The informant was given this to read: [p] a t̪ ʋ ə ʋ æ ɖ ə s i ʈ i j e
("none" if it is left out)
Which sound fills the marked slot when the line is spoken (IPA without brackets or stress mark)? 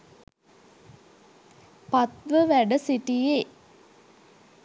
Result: p